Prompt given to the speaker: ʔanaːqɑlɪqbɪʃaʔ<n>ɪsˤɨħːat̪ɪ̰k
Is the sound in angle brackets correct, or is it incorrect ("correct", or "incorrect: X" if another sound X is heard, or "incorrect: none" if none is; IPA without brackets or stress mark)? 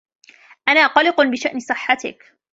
correct